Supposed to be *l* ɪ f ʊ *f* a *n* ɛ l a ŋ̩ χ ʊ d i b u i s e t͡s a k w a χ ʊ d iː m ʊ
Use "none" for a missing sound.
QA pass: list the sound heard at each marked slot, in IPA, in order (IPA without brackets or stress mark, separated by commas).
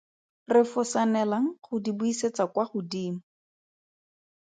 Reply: r, s, n